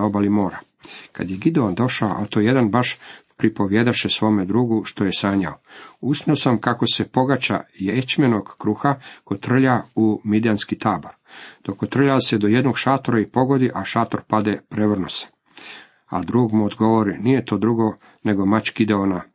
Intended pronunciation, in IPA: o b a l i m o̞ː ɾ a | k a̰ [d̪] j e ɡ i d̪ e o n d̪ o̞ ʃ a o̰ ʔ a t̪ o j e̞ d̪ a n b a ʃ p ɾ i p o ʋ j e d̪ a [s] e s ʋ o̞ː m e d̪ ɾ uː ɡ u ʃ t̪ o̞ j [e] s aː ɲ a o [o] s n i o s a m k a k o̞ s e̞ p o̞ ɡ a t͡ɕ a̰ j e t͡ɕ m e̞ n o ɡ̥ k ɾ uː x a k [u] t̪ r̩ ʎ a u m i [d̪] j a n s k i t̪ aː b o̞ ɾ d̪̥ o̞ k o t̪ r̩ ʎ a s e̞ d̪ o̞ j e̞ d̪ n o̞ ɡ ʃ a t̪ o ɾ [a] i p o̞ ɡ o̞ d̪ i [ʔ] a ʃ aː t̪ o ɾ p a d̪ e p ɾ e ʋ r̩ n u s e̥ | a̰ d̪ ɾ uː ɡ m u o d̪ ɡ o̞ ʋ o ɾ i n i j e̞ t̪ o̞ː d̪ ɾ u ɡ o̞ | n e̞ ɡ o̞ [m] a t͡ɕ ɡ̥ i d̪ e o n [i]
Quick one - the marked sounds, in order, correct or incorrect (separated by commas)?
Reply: correct, incorrect, correct, incorrect, incorrect, correct, correct, correct, correct, incorrect